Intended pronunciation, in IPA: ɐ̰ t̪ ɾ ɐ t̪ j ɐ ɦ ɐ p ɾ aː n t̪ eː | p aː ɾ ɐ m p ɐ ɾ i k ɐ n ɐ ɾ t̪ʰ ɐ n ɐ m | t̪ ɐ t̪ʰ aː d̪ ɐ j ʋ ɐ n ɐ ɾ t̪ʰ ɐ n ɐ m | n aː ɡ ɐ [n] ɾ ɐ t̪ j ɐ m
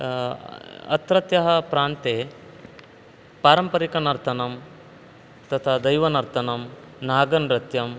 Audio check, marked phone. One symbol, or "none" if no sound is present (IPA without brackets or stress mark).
n